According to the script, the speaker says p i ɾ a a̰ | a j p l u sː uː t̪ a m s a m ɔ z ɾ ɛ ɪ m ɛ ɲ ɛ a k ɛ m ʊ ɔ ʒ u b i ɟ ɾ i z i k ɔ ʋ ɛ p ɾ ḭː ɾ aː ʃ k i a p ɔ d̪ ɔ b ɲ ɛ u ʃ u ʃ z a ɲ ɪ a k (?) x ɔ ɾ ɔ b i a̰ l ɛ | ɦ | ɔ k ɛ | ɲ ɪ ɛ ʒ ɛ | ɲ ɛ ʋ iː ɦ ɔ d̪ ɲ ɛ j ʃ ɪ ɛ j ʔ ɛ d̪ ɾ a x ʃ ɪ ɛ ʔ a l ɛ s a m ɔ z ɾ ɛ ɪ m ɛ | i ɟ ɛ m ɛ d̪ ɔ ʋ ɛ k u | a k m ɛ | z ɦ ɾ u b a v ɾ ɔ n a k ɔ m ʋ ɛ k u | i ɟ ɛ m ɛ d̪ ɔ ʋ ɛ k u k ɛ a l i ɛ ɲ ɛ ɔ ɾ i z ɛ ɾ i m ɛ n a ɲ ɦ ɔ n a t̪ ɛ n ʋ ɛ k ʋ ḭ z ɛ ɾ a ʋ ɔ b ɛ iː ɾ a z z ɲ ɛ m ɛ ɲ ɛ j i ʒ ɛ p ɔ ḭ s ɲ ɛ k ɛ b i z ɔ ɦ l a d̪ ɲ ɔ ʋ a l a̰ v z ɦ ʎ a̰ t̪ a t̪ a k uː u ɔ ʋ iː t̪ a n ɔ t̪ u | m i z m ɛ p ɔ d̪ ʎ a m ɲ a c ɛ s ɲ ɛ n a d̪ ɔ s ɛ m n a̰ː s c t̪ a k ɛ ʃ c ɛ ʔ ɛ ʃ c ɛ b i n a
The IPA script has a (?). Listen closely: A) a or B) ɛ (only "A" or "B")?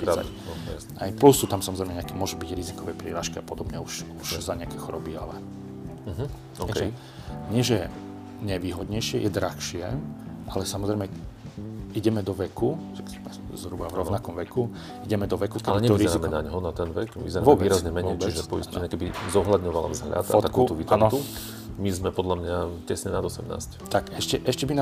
B